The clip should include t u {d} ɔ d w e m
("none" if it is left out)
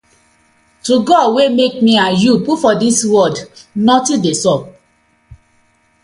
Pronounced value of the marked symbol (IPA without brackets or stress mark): ɡ